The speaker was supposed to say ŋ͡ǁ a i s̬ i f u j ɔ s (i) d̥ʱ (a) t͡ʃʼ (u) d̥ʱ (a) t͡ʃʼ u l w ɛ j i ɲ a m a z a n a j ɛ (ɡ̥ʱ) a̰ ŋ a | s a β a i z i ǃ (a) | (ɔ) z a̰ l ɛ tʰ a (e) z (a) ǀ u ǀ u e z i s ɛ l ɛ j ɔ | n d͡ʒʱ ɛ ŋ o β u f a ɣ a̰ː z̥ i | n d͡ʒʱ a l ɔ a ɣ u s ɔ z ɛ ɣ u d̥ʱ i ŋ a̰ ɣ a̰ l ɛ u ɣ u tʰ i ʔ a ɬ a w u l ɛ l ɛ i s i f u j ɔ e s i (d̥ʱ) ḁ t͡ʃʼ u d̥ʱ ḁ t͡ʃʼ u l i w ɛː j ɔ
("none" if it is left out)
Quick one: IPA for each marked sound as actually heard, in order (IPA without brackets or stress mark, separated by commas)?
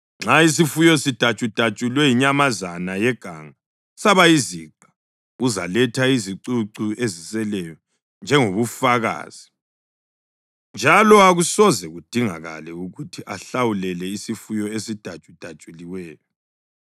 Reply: i, a, u, a, ɡ̥ʱ, a, u, i, i, d̥ʱ